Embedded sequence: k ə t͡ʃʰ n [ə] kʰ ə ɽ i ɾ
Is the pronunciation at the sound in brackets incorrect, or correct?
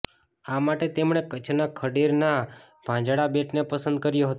incorrect